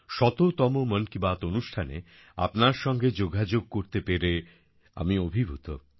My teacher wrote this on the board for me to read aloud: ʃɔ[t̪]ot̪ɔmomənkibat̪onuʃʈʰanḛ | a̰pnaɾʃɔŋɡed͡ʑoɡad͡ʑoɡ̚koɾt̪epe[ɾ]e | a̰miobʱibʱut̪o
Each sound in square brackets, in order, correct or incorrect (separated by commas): correct, correct